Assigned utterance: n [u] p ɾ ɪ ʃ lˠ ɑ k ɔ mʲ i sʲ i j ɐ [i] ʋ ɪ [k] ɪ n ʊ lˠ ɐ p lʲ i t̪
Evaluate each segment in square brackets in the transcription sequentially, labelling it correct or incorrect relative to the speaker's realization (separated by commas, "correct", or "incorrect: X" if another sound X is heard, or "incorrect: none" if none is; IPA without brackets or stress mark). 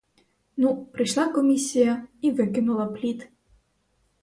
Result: correct, correct, correct